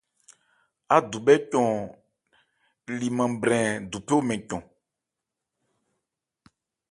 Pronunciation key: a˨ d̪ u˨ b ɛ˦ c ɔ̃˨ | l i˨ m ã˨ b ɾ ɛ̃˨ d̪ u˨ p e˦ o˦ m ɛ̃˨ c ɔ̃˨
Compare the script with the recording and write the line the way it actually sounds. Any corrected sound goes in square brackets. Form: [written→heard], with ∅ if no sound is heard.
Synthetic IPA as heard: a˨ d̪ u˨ b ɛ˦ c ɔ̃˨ | l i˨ m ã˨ b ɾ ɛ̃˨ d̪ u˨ p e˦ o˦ m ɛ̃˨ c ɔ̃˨